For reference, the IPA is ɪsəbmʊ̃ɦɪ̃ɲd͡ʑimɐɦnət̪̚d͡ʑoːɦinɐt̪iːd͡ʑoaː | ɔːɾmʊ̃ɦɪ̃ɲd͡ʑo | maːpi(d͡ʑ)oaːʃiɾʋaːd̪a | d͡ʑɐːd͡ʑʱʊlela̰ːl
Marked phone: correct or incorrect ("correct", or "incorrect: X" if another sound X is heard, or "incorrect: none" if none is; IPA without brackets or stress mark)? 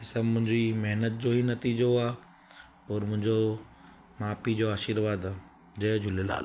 correct